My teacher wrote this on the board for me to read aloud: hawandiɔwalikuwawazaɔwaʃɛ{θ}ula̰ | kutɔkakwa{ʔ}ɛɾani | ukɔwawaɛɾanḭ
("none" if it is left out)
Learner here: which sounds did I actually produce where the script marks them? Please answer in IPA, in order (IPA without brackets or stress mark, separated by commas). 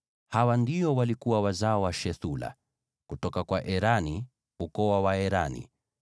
θ, ʔ